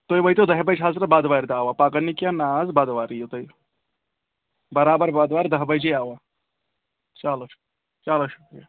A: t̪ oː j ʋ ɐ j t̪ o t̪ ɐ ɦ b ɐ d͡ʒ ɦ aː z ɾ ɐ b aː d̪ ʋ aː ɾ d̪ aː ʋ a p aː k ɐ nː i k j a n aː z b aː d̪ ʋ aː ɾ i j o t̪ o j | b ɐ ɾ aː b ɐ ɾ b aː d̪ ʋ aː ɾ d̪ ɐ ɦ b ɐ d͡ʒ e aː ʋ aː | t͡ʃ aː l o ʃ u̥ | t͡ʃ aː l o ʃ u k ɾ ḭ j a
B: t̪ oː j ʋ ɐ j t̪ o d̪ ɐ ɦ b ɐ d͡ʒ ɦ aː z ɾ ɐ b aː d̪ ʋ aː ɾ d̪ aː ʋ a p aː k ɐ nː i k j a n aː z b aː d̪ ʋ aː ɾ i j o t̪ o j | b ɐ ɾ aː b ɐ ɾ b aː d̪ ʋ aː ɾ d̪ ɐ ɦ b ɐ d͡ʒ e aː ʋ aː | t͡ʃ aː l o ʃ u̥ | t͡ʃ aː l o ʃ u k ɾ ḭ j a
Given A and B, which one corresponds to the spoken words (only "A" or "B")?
B